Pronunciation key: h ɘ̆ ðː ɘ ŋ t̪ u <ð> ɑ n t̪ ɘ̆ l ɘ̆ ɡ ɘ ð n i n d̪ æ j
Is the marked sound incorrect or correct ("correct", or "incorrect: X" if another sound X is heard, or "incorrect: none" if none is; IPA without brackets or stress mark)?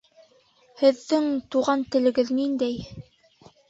incorrect: ʁ